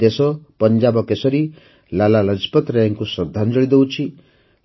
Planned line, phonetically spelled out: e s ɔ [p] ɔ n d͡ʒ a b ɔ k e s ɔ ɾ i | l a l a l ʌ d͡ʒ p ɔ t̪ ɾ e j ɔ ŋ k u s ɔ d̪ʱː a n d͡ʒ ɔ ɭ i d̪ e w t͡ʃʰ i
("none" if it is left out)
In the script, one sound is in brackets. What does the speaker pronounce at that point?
p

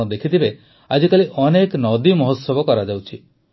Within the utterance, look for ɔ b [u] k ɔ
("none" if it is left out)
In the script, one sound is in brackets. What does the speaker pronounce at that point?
ɔ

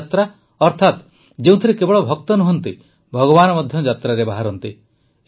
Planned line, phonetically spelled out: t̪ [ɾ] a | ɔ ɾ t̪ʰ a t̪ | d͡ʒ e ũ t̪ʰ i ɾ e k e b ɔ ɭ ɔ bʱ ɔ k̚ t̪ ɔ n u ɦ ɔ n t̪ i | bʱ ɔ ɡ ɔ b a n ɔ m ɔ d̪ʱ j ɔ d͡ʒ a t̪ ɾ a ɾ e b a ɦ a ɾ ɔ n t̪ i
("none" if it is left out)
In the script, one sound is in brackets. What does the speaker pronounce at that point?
ɾ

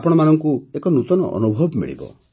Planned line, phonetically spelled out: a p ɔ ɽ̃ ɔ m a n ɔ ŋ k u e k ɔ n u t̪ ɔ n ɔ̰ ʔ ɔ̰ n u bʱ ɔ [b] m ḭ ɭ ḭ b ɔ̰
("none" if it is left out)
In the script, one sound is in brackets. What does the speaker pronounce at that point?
b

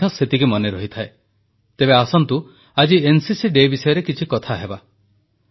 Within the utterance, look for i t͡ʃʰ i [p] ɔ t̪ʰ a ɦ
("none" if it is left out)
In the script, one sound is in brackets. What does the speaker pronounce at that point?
k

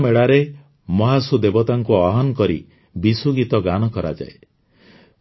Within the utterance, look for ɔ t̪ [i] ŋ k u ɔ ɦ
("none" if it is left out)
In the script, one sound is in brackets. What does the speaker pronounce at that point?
a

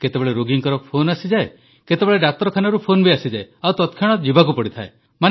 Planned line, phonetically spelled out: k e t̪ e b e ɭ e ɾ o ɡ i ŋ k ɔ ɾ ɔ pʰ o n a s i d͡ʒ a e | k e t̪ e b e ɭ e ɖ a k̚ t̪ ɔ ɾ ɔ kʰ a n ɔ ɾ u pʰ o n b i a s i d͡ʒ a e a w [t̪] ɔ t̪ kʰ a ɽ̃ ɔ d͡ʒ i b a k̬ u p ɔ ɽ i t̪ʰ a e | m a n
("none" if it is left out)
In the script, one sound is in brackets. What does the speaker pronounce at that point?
t̪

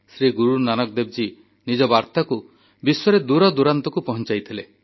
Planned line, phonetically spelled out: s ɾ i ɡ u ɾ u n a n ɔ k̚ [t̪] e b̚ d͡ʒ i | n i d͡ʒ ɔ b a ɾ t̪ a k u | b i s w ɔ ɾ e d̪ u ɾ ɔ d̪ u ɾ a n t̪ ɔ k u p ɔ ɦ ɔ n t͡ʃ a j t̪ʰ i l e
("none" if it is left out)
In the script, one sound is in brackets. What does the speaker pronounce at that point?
d̪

